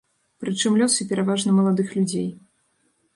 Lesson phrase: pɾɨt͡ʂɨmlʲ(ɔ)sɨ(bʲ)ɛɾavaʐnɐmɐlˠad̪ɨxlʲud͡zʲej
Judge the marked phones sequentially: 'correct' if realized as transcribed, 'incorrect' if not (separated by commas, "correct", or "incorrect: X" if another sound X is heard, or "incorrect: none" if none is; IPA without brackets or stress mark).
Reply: correct, incorrect: pʲ